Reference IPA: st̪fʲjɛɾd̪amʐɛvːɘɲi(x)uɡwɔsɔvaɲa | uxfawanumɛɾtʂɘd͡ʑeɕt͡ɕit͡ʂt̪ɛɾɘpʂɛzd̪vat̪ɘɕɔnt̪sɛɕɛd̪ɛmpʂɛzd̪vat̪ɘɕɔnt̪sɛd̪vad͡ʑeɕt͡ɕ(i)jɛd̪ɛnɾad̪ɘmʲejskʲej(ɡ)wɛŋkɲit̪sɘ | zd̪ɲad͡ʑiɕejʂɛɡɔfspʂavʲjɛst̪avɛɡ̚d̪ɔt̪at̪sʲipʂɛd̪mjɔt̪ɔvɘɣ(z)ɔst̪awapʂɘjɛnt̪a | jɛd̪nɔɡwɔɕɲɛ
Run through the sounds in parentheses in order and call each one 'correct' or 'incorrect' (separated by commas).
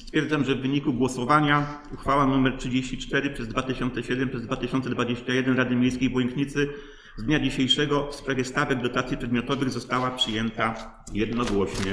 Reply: incorrect, incorrect, incorrect, correct